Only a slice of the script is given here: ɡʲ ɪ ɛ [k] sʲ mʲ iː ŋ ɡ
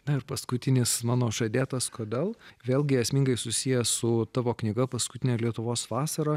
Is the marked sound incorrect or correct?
incorrect